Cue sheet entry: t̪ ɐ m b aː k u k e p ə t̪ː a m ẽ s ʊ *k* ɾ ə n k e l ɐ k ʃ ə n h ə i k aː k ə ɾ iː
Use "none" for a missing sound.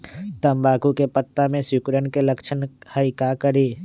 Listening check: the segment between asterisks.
k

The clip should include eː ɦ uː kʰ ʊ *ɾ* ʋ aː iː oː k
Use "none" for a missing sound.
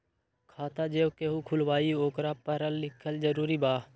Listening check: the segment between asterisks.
l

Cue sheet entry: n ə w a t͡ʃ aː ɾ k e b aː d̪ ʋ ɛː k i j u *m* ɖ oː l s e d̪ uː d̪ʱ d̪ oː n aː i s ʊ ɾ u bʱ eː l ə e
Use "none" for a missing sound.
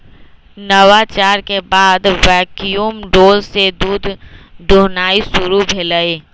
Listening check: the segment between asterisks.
m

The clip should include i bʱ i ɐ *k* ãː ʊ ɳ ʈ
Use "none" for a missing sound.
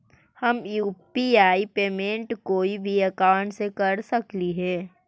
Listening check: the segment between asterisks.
k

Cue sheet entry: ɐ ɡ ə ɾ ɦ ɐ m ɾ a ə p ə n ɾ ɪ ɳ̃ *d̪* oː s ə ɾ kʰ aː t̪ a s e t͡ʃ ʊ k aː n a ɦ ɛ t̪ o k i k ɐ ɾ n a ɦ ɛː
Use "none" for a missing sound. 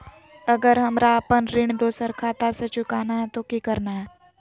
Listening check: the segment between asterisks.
d̪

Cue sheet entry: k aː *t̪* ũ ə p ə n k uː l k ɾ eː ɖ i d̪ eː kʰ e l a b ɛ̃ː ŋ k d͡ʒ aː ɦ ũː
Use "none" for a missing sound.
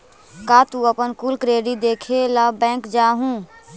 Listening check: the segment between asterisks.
t̪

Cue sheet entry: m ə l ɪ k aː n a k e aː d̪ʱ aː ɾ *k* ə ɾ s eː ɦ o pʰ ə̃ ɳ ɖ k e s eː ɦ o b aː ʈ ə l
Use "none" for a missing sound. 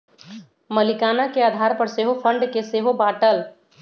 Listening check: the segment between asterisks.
p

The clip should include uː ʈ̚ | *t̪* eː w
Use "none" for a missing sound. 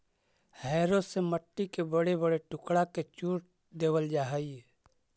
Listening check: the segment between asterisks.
d̪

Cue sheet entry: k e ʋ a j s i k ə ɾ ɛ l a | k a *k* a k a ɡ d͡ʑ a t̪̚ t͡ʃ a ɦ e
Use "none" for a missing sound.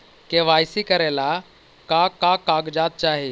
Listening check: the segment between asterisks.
k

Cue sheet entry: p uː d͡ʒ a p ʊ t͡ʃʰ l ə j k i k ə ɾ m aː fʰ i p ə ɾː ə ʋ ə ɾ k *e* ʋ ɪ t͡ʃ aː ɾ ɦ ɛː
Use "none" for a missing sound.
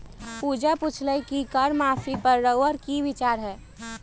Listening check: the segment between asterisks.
i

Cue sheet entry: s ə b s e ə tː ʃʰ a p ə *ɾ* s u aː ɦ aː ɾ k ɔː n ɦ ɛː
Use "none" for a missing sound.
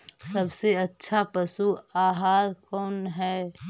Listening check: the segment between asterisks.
none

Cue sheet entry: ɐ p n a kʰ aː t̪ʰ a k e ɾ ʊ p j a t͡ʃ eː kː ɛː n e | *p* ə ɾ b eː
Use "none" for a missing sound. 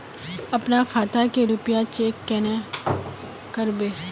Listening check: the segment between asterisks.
k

